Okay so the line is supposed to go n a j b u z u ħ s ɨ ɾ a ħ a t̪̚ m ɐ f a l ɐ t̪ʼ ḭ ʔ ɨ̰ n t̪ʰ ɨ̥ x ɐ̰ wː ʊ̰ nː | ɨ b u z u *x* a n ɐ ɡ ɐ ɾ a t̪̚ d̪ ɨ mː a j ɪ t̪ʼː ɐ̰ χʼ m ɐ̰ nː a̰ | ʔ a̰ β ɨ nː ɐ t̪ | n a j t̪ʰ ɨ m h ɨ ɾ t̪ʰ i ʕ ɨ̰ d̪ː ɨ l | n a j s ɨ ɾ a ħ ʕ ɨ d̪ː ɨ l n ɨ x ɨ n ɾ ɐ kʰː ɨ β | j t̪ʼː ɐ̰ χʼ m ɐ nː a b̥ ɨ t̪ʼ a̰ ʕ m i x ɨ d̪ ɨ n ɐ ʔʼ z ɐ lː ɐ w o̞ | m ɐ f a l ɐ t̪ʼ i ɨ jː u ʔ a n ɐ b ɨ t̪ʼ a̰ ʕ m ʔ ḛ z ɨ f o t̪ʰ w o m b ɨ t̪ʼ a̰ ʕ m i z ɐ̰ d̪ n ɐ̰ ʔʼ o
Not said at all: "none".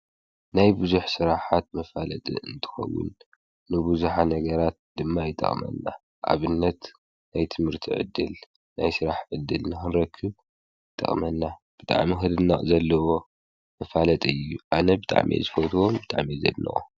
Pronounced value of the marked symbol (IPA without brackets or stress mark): ħ